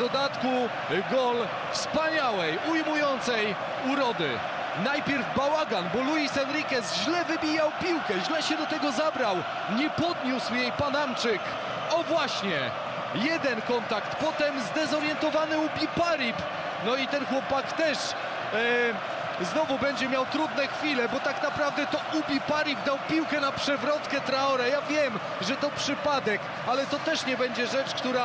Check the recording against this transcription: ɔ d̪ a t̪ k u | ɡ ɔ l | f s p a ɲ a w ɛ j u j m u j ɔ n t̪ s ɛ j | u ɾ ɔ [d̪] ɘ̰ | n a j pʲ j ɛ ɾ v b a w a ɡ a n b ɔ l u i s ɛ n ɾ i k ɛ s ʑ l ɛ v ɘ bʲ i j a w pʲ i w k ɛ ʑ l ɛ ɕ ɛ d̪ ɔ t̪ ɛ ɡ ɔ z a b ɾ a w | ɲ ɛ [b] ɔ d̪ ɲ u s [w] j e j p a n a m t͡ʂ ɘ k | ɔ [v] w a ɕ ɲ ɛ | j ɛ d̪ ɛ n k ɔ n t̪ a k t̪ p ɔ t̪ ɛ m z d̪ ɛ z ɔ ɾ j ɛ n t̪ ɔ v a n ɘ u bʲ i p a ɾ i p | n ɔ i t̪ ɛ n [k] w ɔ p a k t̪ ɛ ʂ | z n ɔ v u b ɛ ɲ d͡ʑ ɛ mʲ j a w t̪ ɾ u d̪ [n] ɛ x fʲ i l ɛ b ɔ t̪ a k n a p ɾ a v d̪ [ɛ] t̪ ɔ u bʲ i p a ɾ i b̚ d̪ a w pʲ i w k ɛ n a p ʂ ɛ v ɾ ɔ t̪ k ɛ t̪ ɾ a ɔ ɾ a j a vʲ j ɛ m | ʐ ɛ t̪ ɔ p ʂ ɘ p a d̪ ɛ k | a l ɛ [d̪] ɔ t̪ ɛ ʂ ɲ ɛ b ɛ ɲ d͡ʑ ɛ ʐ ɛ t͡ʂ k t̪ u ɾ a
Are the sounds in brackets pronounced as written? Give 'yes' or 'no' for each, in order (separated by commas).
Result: yes, no, yes, yes, no, yes, yes, no